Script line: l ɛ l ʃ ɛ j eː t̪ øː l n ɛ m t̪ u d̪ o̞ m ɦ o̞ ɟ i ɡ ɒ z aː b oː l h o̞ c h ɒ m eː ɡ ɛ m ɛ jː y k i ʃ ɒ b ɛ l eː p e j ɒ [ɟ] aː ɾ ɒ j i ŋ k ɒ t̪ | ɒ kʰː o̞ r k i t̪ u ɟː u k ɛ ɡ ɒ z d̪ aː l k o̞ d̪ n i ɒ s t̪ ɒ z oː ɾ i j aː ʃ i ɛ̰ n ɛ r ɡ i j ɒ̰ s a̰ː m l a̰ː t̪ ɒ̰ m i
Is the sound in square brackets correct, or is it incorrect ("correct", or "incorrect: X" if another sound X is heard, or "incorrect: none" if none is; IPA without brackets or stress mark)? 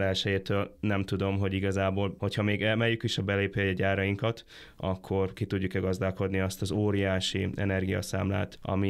correct